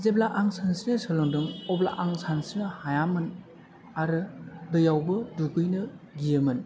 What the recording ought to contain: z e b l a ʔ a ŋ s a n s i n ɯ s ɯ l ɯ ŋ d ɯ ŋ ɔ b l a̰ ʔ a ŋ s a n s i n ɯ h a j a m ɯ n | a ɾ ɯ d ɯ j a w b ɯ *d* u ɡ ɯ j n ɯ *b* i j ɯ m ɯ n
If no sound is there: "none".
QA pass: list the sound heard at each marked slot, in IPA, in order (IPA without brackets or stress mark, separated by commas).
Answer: d, ɡ